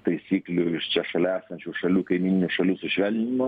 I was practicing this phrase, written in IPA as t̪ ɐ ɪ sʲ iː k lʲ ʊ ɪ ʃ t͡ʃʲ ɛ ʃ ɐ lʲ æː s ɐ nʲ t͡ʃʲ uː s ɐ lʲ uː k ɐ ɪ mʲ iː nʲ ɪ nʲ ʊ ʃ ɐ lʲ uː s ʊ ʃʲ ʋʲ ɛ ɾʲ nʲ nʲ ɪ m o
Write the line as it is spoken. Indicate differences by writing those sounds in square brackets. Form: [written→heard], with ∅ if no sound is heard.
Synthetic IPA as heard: t̪ ɐ ɪ sʲ iː k lʲ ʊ ɪ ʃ t͡ʃʲ ɛ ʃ ɐ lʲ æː s ɐ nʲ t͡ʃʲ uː [s→ʃ] ɐ lʲ uː k ɐ ɪ mʲ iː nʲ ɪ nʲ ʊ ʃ ɐ lʲ uː s ʊ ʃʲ ʋʲ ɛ [ɾʲ→lʲ] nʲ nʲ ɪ m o